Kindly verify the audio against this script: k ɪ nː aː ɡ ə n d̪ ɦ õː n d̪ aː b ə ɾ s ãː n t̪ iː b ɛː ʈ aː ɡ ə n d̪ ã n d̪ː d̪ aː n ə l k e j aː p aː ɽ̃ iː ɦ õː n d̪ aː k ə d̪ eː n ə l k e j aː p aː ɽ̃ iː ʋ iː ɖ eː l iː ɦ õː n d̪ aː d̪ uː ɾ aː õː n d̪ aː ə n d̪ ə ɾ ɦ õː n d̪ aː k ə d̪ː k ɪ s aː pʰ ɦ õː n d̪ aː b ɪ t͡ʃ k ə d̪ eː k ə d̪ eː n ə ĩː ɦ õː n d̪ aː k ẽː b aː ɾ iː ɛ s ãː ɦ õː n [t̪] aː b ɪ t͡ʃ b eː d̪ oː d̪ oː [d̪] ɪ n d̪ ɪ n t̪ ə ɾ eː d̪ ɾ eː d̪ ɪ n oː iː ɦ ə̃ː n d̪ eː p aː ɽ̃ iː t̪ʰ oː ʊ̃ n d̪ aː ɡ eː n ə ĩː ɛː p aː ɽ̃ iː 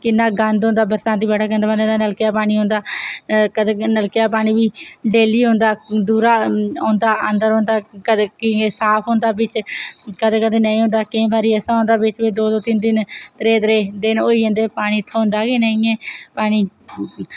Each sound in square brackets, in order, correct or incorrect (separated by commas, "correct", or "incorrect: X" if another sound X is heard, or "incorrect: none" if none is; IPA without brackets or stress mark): incorrect: d̪, incorrect: t̪